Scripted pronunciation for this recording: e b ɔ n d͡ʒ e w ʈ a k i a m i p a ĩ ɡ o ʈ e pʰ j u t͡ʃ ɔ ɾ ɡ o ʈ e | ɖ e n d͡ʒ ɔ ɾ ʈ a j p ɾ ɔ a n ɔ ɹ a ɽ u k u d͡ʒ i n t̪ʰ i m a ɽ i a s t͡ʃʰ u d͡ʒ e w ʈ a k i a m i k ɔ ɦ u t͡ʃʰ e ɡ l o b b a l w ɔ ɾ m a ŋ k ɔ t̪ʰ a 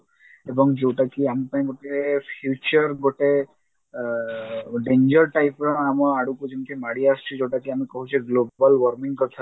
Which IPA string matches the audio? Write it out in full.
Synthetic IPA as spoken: e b ɔ ŋ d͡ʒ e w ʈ a k i a m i p a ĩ ɡ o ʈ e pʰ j u t͡ʃ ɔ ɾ ɡ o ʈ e | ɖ e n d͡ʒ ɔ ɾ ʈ a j p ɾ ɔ a m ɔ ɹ a ɽ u k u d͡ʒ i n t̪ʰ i m a ɽ i a s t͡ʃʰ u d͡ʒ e w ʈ a k i a m i k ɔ ɦ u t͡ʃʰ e ɡ l o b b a l w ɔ ɾ m i ŋ k ɔ t̪ʰ a

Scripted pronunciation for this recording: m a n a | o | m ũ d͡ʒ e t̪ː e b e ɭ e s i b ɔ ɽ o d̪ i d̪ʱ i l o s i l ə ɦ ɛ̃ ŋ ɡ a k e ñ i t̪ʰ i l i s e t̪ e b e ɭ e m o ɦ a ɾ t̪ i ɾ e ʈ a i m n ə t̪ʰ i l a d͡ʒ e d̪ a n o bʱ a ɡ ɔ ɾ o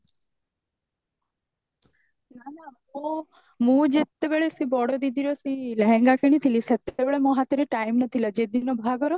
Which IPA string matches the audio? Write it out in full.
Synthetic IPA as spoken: n a n a | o | m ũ d͡ʒ e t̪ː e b e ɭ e s i b ɔ ɽ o d̪ i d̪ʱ i ɾ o s i l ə ɦ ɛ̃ ŋ ɡ a k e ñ i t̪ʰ i l i s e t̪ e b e ɭ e m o ɦ a t̪ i ɾ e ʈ a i m n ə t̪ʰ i l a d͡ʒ e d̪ i n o bʱ a ɡ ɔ ɾ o

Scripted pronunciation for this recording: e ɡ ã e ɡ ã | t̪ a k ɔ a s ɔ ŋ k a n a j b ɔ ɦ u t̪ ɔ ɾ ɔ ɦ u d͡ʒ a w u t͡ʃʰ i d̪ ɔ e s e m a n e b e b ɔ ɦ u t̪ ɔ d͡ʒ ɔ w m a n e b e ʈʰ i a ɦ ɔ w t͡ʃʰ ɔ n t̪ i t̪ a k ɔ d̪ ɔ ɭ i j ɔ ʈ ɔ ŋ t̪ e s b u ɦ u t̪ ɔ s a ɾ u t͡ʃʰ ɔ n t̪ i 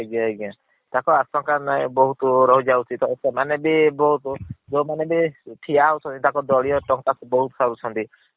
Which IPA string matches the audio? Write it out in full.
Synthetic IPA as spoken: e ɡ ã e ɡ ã | t̪ a k ɔ a s ɔ ŋ k a n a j b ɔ ɦ u t̪ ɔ ɾ ɔ ɦ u d͡ʒ a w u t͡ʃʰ i t̪ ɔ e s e m a n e b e b ɔ ɦ u t̪ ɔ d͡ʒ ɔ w m a n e b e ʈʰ i a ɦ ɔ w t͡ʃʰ ɔ n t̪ i t̪ a k ɔ d̪ ɔ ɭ i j ɔ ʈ ɔ ŋ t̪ a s b ɔ ɦ u t̪ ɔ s a ɾ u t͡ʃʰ ɔ n t̪ i

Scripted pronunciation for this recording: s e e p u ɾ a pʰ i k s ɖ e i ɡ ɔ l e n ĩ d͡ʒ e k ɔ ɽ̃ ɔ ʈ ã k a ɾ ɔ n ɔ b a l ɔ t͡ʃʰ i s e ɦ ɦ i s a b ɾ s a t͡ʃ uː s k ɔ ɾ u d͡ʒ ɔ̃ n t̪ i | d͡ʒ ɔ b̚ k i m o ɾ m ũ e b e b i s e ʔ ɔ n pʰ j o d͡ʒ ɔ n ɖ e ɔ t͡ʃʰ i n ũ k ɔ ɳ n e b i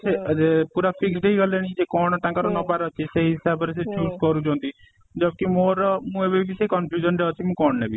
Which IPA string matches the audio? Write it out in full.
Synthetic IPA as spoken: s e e p u ɾ a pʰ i k s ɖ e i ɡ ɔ l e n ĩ d͡ʒ e k ɔ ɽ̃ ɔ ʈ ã k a ɾ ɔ n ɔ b a ɾ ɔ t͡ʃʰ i s e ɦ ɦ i s a b ɾ s e t͡ʃ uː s k ɔ ɾ u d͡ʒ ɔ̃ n t̪ i | d͡ʒ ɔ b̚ k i m o ɾ m ũ e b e b i s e k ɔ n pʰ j u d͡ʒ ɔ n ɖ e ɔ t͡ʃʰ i m ũ k ɔ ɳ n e b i

